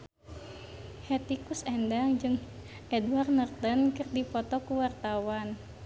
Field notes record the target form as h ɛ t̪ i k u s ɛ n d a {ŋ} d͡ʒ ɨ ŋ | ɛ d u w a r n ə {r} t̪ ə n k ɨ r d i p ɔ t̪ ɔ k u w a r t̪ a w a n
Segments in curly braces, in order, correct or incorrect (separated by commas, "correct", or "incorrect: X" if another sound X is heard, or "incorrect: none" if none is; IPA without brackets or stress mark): correct, correct